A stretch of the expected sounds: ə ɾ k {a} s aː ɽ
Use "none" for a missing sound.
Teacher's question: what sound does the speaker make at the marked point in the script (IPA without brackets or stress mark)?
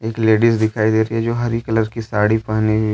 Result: i